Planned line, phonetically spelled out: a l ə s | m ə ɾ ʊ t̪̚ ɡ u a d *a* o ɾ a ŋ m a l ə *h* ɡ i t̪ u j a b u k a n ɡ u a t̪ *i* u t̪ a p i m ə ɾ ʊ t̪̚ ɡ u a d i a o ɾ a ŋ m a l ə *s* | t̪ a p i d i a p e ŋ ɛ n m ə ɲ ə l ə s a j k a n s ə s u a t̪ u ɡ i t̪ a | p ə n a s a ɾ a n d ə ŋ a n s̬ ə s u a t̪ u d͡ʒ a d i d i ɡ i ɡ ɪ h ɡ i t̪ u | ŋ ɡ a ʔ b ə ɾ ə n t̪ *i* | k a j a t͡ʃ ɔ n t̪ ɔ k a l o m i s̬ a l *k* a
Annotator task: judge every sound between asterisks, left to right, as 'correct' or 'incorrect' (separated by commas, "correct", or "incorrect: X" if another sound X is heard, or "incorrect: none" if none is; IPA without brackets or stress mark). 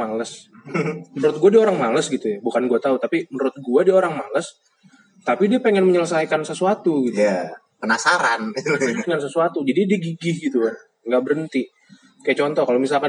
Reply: incorrect: i, incorrect: s, incorrect: a, correct, correct, correct